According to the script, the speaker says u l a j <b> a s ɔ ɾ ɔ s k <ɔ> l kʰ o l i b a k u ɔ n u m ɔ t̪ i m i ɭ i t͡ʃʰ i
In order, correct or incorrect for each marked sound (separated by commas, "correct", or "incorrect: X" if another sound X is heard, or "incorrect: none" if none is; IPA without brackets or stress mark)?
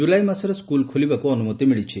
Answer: incorrect: m, incorrect: u